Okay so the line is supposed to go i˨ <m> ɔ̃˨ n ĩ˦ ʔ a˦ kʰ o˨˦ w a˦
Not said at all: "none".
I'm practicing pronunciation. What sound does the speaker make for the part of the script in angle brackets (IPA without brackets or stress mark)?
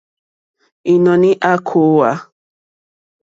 n